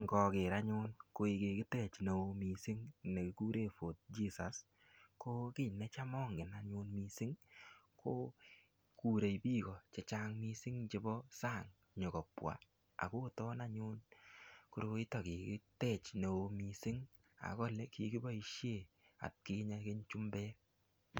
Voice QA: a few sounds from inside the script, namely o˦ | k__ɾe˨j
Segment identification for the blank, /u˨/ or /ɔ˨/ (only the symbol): u˨